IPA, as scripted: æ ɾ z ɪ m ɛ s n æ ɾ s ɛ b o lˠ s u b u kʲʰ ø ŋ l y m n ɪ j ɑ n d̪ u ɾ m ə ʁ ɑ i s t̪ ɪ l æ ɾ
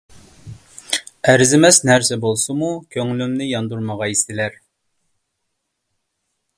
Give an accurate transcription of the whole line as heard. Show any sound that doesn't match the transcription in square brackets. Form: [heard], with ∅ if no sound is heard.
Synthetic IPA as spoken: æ ɾ z ɪ m ɛ s n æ ɾ s ɛ b o lˠ s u [m] u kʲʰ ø ŋ l y m n ɪ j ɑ n d̪ u ɾ m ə ʁ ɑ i s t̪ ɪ l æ ɾ